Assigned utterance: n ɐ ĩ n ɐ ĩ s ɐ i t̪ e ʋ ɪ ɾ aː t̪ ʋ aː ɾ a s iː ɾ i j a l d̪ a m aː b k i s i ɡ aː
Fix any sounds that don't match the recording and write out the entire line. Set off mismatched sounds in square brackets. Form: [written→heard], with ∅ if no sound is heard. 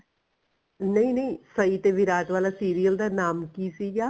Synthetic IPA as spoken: n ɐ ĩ n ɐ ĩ s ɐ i t̪ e ʋ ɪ ɾ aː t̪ ʋ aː [ɾ→l] a s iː ɾ i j [a→ə] l d̪ a [m→n] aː [b→m] k i s i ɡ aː